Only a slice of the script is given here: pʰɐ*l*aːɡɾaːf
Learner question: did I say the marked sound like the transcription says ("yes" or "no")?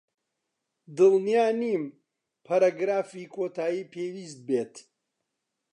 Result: no